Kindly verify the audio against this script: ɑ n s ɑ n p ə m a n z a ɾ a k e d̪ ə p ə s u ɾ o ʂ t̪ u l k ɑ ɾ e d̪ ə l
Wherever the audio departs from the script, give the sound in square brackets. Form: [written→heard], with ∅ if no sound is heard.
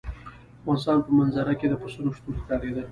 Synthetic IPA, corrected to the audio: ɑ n s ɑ n p ə m a n z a ɾ a k e d̪ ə p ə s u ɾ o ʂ t̪ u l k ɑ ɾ e d̪ ə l